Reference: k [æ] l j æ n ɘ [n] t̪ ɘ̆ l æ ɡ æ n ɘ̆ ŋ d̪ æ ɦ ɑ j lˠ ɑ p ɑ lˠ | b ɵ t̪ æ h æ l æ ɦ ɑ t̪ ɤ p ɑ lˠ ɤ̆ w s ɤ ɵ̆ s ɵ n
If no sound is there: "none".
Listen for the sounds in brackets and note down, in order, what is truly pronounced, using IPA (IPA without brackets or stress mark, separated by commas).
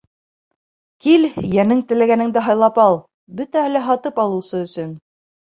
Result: i, ŋ